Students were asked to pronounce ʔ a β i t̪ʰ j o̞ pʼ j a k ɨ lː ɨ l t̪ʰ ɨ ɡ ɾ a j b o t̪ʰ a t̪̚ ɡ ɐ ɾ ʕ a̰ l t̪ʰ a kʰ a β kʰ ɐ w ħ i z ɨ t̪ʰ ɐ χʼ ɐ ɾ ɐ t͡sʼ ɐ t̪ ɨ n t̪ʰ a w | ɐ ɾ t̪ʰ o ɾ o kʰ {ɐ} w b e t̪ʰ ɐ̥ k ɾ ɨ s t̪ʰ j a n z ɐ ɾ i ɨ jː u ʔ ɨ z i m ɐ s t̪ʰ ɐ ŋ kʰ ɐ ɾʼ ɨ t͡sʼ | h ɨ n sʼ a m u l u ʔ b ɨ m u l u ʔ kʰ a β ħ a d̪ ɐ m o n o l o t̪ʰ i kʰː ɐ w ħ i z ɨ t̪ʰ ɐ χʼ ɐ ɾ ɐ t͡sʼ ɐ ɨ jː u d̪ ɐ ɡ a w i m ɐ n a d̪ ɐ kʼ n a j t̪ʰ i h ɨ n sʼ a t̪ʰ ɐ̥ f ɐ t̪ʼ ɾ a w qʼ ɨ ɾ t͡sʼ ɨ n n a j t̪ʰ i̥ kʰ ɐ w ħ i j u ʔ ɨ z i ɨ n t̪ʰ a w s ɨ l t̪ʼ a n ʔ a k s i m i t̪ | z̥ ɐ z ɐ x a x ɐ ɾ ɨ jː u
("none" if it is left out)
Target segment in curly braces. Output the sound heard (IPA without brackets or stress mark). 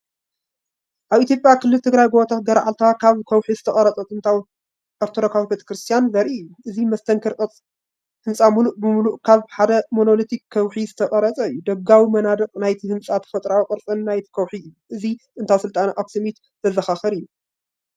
a